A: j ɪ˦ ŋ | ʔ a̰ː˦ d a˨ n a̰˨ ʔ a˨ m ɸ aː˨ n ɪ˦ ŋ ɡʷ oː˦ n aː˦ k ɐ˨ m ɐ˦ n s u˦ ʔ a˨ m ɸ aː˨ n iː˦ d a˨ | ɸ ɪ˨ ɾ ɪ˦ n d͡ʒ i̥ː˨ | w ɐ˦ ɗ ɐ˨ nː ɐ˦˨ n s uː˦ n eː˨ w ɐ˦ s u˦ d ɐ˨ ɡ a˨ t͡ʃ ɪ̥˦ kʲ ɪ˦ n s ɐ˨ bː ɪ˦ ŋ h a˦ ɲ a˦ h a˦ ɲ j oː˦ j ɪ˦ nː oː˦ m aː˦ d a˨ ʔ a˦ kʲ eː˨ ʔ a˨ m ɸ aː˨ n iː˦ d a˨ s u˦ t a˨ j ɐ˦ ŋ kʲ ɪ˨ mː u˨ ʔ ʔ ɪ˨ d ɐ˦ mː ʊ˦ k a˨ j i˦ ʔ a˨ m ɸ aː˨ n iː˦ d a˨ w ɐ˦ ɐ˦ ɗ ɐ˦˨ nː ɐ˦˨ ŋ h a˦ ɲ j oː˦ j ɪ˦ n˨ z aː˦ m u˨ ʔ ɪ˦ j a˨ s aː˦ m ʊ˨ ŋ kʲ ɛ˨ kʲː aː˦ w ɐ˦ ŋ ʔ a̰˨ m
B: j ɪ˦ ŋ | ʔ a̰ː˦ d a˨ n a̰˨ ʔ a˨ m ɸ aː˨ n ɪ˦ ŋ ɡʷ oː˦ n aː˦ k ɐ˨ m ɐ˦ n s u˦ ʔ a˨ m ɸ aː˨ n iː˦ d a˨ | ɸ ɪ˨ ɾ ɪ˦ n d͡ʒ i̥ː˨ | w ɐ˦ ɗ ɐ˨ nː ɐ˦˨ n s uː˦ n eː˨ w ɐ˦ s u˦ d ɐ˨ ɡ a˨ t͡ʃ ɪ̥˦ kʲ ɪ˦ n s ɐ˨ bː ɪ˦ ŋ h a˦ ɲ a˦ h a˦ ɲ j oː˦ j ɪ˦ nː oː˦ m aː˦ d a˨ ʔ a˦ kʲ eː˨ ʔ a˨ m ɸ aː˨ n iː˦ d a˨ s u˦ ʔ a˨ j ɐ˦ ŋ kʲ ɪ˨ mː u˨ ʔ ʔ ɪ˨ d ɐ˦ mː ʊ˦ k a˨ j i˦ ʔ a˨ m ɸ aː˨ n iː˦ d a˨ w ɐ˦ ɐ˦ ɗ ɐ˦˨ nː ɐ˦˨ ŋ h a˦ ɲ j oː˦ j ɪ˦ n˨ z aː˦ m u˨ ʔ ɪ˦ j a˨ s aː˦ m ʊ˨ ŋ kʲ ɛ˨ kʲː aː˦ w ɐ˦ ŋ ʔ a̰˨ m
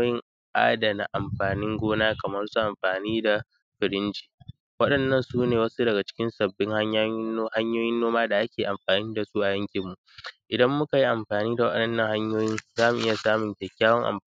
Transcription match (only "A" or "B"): B